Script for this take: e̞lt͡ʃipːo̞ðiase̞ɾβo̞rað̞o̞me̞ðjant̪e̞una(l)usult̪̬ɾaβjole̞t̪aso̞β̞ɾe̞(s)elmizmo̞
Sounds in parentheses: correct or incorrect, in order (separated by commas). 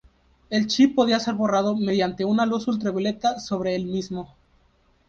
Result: correct, incorrect